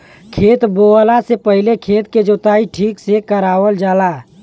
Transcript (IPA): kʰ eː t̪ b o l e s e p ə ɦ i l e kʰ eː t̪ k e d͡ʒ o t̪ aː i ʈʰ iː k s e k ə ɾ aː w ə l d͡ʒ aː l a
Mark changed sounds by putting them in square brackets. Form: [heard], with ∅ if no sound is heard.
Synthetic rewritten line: kʰ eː t̪ b o l [a] s e p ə ɦ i l e kʰ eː t̪ k e d͡ʒ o t̪ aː i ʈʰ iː k s e k ə ɾ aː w ə l d͡ʒ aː l a